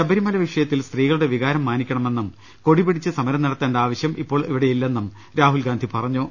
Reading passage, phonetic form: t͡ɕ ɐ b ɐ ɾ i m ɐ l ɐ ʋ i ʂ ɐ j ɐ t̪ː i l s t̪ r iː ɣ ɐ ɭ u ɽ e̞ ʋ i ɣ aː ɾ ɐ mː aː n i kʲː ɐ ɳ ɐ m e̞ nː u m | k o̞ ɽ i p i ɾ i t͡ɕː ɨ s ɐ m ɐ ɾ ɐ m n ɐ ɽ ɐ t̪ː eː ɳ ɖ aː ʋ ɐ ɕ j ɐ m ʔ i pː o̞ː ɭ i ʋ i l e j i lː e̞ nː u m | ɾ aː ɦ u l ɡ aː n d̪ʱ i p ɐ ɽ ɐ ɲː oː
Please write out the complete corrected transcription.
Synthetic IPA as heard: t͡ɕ ɐ b ɐ ɾ i m ɐ l ɐ ʋ i ʂ ɐ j ɐ t̪ː i l s t̪ r iː ɣ ɐ ɭ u ɽ e̞ ʋ i ɣ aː ɾ ɐ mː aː n i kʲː ɐ ɳ ɐ m e̞ nː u m | k o̞ ɽ i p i ɽ i t͡ɕː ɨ s ɐ m ɐ ɾ ɐ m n ɐ ɽ ɐ t̪ː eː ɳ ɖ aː ʋ ɐ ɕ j ɐ m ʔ i pː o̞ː ɭ i ʋ i ɽ e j i lː e̞ nː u m | ɾ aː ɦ u l ɡ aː n d̪ʱ i p ɐ r ɐ ɲː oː